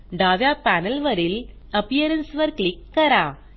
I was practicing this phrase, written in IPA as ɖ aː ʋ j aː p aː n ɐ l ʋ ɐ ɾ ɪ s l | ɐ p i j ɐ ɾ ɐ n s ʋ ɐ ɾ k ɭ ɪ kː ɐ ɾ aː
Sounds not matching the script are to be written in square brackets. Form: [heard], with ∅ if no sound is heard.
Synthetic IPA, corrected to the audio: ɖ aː ʋ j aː p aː n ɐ l ʋ ɐ ɾ ɪ [∅] l | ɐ p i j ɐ ɾ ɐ n s ʋ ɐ ɾ k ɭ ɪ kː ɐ ɾ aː